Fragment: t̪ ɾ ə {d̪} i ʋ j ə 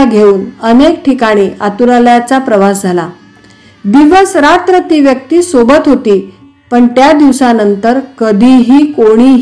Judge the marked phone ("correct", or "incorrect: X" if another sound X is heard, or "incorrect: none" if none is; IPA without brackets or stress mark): incorrect: t̪